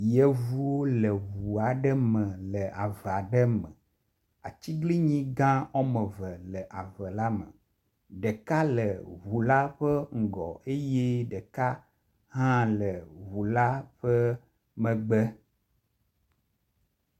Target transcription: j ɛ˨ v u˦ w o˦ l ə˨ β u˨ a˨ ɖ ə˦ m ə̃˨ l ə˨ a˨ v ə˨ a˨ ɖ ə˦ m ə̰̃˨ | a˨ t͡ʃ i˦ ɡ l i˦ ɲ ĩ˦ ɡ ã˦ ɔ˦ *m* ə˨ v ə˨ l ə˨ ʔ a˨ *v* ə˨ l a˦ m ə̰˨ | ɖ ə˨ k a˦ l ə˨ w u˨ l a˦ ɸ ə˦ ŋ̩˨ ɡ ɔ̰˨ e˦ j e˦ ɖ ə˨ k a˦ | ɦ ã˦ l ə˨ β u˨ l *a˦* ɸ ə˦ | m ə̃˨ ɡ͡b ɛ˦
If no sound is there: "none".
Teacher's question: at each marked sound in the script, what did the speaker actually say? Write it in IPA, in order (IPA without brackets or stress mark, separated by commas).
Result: m, v, a˦